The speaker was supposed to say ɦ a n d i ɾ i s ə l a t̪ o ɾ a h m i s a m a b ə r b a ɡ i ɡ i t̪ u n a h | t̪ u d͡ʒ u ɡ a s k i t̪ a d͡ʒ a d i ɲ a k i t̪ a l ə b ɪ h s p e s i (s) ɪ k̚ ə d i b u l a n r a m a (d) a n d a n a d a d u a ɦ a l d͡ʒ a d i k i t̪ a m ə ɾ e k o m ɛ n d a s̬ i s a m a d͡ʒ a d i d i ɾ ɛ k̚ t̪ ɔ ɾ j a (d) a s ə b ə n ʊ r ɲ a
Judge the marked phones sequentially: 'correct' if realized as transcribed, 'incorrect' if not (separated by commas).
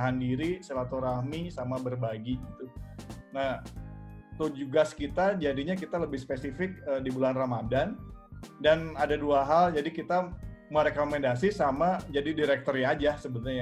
incorrect, correct, incorrect